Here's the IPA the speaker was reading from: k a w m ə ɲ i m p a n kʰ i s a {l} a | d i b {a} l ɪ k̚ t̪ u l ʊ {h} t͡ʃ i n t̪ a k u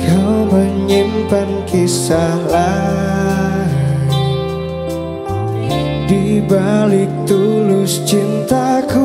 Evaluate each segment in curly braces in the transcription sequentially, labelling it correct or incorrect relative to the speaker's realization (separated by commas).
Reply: correct, correct, incorrect